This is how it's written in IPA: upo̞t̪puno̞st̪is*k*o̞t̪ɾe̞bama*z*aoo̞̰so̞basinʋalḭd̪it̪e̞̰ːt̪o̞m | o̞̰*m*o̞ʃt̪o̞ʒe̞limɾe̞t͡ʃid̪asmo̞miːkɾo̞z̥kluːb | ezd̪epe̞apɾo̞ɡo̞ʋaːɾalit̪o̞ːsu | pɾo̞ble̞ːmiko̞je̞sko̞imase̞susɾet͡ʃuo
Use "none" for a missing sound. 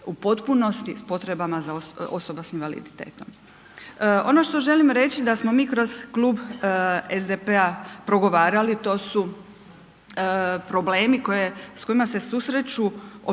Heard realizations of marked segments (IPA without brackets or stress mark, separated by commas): p, z, n